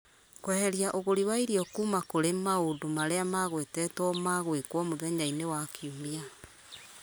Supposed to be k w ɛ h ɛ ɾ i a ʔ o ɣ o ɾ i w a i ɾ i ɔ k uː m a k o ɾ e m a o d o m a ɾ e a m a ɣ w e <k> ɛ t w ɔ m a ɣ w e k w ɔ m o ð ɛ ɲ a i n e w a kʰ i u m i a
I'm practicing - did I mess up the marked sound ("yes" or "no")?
yes